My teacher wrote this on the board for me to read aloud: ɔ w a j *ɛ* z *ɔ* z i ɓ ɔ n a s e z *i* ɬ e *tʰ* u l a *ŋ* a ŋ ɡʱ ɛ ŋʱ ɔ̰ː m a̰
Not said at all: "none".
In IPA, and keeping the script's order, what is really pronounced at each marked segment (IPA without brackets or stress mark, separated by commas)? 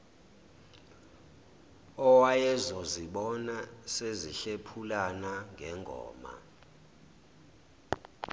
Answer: ɛ, ɔ, i, pʰ, n